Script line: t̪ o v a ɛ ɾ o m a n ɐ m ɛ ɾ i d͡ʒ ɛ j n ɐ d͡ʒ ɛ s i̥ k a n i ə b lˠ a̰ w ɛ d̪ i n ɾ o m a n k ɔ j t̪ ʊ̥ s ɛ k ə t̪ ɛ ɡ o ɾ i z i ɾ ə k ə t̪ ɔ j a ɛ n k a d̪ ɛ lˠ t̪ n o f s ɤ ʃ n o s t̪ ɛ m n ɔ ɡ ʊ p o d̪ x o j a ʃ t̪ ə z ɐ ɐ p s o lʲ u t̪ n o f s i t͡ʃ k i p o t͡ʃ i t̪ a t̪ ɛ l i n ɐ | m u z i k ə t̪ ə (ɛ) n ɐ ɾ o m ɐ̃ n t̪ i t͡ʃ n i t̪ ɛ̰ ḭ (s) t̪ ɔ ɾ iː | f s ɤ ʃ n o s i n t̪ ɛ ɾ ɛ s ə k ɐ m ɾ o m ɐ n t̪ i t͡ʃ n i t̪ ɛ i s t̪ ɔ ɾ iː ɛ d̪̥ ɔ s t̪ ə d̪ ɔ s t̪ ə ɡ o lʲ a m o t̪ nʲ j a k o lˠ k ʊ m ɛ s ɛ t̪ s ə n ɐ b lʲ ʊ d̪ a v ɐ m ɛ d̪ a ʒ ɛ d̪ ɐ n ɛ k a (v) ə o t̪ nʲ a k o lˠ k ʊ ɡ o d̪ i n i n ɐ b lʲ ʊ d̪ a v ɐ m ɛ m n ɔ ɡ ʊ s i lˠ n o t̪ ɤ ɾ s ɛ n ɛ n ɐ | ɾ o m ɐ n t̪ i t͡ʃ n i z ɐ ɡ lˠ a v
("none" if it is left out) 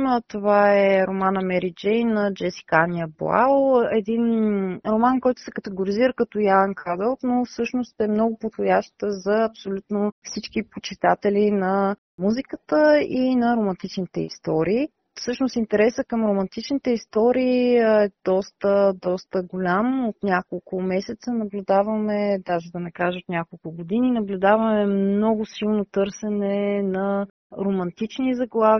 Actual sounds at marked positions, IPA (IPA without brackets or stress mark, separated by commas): i, s, ʒ